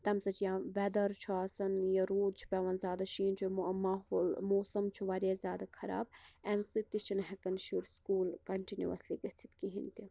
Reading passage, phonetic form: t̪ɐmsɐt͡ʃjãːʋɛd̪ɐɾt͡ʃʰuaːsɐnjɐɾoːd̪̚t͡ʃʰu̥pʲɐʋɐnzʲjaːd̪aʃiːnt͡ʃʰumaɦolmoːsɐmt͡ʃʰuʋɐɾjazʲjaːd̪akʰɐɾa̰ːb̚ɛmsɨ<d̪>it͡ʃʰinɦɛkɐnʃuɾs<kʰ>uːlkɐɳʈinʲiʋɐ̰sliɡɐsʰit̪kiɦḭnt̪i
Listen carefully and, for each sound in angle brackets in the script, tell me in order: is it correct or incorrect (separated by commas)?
incorrect, incorrect